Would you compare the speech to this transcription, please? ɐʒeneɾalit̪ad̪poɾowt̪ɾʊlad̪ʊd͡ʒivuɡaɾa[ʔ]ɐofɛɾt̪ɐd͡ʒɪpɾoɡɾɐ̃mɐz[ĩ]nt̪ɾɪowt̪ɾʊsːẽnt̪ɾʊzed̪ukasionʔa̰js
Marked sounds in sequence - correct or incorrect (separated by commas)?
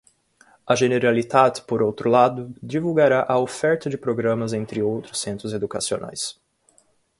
correct, incorrect